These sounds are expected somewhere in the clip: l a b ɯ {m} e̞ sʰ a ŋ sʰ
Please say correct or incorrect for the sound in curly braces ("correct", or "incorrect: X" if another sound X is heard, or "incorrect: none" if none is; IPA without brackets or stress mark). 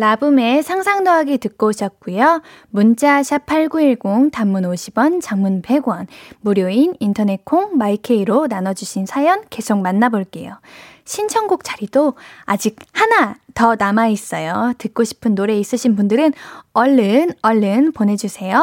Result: correct